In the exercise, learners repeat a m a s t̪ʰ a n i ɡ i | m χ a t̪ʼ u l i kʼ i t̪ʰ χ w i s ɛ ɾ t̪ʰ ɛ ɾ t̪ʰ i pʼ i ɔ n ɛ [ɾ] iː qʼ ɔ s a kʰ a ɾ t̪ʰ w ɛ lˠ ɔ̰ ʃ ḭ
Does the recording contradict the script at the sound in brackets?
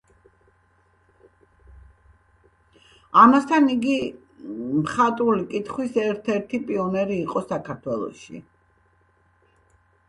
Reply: no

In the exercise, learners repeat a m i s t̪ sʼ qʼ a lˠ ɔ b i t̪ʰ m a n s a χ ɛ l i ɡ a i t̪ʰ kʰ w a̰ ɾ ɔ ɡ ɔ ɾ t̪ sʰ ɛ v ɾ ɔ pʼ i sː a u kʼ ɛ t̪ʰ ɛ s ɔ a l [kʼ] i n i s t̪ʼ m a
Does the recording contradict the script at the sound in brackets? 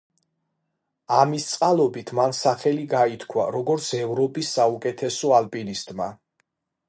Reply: yes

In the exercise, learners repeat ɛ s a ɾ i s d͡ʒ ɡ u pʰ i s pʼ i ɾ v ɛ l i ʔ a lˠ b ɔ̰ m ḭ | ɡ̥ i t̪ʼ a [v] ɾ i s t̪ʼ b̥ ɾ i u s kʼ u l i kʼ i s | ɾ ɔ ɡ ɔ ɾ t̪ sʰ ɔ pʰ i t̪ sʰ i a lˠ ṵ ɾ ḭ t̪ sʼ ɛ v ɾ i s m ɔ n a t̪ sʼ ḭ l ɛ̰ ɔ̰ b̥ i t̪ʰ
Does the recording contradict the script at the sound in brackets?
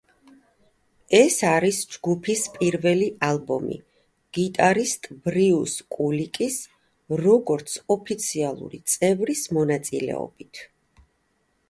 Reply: yes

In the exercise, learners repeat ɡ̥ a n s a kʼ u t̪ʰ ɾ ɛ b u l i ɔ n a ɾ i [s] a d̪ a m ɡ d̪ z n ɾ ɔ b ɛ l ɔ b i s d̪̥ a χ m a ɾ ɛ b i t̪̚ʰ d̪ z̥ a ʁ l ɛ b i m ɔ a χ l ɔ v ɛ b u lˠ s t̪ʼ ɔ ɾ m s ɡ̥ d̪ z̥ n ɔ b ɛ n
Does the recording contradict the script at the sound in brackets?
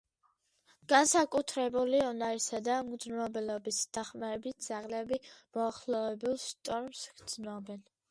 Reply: no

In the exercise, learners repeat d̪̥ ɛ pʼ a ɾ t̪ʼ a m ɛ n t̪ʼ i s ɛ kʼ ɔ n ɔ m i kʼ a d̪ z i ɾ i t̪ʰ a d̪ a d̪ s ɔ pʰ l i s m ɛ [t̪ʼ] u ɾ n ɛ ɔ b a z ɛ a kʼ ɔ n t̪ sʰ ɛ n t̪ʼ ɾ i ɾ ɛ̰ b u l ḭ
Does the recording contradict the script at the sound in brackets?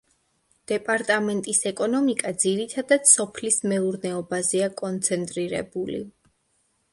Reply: yes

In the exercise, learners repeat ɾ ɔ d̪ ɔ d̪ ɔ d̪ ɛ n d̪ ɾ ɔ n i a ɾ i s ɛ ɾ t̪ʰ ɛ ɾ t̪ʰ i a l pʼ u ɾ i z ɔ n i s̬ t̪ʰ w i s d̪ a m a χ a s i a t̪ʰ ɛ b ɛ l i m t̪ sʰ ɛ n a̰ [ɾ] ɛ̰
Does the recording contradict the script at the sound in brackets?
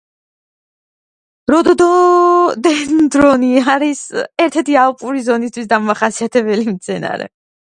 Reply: no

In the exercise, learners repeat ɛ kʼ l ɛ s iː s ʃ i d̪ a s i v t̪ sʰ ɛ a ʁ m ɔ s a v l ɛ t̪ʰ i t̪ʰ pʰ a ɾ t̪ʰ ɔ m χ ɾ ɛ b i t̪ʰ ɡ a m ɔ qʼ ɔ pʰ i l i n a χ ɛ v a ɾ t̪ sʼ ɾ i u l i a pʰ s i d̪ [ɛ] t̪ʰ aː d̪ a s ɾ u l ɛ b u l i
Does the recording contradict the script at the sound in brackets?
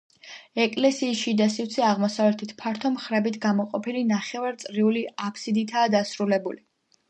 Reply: yes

